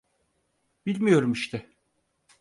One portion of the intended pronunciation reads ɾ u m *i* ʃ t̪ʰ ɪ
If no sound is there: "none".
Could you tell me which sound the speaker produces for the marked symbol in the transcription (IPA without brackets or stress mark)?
i